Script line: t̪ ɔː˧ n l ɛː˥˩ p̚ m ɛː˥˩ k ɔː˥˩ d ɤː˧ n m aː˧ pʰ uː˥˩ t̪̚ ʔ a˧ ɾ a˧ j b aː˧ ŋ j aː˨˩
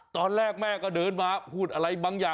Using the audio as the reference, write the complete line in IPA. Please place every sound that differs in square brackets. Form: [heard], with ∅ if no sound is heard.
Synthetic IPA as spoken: t̪ ɔː˧ n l ɛː˥˩ [k̚] m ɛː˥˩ k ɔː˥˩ d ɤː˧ n m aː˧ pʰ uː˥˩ t̪̚ ʔ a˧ ɾ a˧ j b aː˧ ŋ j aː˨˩

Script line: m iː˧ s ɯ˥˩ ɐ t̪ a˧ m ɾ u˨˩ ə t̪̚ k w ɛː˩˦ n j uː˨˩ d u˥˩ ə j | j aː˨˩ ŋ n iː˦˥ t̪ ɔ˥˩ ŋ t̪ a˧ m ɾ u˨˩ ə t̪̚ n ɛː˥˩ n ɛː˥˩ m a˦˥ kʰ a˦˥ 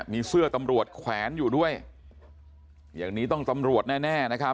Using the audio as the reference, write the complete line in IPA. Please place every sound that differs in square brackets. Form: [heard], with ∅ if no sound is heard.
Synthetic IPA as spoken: m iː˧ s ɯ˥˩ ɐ t̪ a˧ m ɾ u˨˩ ə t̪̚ [kʰ] w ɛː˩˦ n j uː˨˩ d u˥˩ ə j | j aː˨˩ ŋ n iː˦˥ t̪ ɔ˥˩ ŋ t̪ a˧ m ɾ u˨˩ ə t̪̚ n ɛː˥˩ n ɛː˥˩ [n] a˦˥ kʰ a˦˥

